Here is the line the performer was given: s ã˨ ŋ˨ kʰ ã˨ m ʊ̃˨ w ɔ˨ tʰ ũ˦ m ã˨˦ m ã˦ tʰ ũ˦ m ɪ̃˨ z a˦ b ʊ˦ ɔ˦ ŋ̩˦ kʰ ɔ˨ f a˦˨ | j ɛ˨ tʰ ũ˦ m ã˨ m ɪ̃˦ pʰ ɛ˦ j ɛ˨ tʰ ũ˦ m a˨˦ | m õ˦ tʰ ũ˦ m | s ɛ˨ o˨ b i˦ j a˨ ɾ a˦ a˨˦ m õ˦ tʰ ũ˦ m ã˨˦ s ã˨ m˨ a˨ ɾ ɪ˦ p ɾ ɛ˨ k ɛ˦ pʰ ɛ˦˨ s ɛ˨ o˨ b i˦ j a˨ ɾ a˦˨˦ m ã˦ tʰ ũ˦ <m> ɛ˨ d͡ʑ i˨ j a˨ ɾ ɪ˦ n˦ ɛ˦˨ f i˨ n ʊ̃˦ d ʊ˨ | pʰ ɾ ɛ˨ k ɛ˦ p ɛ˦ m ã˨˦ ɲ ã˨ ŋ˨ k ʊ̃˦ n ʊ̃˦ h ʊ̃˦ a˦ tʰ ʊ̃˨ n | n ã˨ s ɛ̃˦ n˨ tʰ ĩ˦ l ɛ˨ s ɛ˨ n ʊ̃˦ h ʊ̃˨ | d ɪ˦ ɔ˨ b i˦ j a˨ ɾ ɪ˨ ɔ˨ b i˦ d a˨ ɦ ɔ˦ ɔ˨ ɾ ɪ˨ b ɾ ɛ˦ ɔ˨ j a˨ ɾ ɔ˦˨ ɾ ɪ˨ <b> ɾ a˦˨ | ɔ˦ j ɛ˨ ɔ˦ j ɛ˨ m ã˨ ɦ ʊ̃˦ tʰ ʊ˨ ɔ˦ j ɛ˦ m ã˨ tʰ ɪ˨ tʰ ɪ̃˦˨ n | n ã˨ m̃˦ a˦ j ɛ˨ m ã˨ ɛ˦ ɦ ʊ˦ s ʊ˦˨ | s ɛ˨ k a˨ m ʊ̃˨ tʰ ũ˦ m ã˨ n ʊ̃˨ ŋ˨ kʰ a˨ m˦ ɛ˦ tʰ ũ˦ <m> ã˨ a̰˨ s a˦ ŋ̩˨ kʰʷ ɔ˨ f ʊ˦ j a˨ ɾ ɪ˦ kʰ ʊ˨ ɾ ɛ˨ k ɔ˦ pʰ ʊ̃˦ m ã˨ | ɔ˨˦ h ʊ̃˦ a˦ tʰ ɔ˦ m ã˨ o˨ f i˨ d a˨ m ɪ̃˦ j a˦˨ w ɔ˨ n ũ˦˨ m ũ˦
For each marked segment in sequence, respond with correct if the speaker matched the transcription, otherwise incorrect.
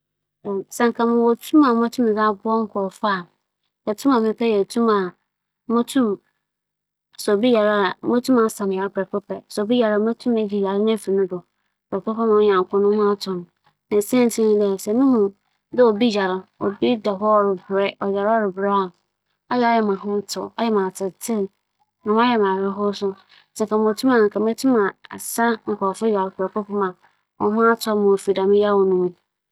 correct, correct, correct

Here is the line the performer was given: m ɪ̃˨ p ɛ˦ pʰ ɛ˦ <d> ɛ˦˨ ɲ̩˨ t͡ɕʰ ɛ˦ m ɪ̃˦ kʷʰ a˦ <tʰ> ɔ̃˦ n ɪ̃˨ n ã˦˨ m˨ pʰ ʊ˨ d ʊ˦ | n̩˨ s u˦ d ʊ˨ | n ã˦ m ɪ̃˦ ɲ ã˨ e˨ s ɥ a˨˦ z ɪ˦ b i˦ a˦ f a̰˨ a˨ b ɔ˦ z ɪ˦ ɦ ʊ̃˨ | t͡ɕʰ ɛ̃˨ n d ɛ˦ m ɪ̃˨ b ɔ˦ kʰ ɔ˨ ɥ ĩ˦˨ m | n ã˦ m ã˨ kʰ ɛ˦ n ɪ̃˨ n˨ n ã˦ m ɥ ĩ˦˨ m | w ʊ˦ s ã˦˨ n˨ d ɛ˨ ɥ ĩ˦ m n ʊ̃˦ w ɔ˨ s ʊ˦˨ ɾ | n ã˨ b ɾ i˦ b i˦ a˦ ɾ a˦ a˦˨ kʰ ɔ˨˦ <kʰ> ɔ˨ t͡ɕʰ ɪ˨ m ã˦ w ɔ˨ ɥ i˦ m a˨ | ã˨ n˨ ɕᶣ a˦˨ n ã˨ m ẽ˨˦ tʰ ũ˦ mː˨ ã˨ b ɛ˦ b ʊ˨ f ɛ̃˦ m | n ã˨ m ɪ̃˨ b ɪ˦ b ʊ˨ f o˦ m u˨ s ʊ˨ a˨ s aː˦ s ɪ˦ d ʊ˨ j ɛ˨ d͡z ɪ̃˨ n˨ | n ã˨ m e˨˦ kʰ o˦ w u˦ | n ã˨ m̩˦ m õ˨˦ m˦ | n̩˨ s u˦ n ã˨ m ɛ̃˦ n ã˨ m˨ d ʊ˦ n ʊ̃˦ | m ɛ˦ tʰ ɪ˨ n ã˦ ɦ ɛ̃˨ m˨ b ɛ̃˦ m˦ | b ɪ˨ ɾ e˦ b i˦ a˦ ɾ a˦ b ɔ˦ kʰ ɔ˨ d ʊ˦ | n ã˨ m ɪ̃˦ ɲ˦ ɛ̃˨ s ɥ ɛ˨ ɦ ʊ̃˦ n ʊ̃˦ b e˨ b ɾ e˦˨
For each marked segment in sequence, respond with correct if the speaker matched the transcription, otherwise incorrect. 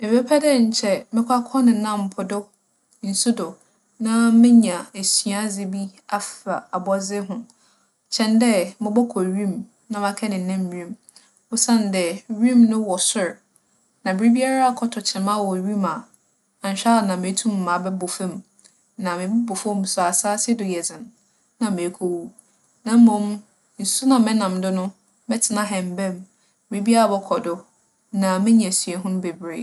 correct, incorrect: kʰ, incorrect: tʰ

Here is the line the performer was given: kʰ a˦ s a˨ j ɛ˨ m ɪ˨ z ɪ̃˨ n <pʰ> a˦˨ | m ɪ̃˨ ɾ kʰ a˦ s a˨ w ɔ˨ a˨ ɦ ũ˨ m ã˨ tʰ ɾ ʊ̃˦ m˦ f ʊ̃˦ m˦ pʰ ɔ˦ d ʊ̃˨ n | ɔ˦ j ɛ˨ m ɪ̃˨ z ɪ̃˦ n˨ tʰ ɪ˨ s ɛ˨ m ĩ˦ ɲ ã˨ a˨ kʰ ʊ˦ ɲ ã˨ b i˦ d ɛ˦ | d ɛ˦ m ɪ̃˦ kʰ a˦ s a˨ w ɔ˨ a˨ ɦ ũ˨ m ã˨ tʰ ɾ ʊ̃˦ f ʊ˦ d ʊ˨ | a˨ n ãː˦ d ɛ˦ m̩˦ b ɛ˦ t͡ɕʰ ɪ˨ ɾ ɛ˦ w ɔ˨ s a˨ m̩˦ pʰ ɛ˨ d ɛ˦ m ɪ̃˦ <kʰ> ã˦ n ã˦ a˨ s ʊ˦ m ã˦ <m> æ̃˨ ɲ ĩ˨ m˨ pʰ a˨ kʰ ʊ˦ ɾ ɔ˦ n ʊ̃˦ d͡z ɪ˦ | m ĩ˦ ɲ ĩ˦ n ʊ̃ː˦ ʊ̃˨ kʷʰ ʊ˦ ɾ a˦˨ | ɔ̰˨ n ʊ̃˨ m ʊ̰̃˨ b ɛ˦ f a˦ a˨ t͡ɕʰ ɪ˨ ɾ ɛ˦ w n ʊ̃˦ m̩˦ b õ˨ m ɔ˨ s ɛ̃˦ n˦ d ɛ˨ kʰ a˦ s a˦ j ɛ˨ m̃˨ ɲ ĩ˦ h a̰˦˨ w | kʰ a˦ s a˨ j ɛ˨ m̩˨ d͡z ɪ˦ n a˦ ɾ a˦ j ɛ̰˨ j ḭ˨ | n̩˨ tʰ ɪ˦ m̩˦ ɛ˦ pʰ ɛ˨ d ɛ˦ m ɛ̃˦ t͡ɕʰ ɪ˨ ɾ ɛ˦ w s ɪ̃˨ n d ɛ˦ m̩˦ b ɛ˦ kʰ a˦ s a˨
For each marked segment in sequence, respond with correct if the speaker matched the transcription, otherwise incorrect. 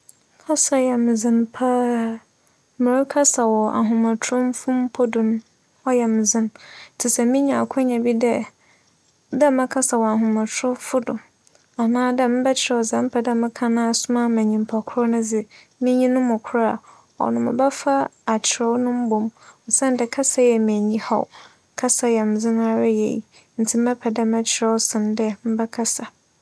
correct, correct, correct

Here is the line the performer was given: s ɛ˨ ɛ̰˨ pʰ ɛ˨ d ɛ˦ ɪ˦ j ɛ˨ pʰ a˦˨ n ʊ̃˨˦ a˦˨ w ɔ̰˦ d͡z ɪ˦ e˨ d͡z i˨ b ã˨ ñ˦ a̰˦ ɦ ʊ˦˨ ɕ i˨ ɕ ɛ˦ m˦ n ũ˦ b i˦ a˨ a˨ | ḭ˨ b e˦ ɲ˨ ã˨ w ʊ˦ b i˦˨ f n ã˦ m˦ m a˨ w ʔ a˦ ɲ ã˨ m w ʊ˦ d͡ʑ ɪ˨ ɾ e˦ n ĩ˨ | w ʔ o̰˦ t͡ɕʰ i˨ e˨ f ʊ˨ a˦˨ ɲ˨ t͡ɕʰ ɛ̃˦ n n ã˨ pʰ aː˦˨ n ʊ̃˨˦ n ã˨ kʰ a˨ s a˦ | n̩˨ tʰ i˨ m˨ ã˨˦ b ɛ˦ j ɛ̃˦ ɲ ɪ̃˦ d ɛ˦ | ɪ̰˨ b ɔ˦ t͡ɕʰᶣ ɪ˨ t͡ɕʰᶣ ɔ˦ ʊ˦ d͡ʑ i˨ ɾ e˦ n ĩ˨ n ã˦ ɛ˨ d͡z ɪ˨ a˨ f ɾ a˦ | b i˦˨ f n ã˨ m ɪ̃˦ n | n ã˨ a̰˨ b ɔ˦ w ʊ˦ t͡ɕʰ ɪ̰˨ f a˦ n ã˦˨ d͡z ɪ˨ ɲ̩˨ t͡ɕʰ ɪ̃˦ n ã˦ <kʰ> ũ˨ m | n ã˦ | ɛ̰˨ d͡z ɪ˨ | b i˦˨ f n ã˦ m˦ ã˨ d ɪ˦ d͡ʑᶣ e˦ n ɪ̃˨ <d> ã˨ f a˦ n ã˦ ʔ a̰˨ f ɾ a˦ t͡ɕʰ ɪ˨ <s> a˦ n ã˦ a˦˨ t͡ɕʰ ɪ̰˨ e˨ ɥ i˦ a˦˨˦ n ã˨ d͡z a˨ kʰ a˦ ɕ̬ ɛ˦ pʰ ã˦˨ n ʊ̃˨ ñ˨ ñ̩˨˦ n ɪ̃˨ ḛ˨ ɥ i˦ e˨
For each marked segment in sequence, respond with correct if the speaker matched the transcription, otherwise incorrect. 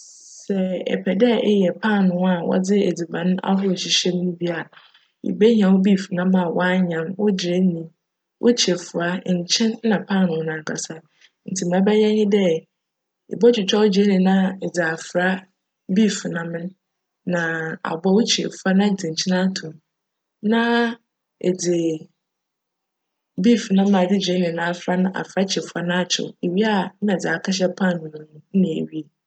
incorrect: tʰ, incorrect: n, incorrect: f

